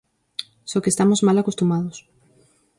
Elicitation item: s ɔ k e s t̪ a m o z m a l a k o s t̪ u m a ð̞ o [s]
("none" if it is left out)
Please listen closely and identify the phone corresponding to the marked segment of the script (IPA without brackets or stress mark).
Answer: s